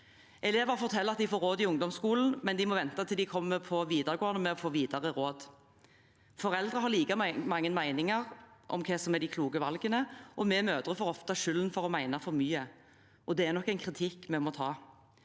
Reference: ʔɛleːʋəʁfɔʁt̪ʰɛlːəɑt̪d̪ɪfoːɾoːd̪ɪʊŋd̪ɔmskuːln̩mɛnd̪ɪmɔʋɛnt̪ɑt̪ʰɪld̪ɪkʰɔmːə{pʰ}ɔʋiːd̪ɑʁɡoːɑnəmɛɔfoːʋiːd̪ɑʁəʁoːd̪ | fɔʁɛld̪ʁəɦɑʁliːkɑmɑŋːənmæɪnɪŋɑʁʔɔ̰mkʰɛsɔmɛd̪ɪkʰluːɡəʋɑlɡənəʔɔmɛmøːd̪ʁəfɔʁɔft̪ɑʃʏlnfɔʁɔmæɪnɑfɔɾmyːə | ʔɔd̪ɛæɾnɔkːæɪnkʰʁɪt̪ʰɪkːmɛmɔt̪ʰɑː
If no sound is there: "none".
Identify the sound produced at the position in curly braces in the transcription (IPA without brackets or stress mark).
pʰ